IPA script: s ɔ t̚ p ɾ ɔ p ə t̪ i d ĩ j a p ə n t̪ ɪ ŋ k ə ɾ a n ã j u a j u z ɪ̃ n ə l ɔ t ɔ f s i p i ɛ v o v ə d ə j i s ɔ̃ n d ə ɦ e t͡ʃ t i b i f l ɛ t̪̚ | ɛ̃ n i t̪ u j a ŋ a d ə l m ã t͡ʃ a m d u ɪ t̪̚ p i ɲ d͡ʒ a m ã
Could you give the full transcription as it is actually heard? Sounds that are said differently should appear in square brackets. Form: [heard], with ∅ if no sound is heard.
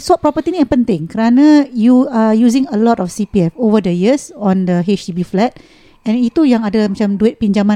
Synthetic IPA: s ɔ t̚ p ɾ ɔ p ə t̪ i [n] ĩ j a p ə n t̪ ɪ ŋ k ə ɾ a n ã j u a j u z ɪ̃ [ŋ] ə l ɔ t ɔ f s i p i ɛ [f] o v ə d ə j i s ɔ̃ n d ə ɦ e t͡ʃ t i b i f l ɛ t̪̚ | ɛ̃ n i t̪ u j a ŋ a d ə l m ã t͡ʃ a m d u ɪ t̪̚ p i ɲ d͡ʒ a m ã